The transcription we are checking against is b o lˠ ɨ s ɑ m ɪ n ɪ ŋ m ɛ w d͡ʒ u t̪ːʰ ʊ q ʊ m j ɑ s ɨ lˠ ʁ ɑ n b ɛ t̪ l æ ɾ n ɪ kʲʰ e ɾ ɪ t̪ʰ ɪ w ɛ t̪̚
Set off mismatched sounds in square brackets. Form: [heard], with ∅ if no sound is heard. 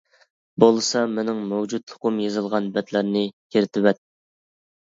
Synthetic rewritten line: b o lˠ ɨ s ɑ m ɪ n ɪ ŋ m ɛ w d͡ʒ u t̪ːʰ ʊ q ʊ m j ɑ [z] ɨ lˠ ʁ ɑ n b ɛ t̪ l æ ɾ n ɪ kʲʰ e ɾ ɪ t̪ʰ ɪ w ɛ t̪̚